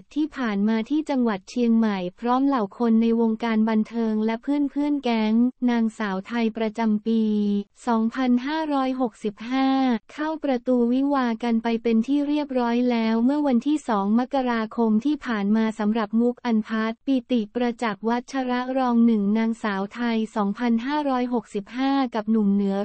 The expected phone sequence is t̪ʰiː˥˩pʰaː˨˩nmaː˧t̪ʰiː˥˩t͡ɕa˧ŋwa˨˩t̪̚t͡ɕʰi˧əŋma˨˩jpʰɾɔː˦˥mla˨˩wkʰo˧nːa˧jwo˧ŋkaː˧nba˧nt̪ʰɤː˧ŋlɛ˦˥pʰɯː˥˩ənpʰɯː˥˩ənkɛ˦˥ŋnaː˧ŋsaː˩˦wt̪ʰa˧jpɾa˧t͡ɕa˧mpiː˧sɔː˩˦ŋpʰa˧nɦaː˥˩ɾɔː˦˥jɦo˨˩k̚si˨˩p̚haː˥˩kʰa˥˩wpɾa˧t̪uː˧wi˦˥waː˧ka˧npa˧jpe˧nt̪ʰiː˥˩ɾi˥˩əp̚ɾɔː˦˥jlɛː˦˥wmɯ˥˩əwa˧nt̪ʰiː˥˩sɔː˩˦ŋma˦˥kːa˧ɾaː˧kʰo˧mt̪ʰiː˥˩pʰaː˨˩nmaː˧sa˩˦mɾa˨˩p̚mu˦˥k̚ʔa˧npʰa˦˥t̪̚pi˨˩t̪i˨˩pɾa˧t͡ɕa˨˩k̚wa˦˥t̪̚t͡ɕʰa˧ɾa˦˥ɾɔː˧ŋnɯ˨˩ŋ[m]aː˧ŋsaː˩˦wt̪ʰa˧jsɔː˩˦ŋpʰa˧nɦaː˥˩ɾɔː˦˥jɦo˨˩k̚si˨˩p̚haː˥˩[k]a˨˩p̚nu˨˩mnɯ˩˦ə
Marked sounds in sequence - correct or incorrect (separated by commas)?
incorrect, correct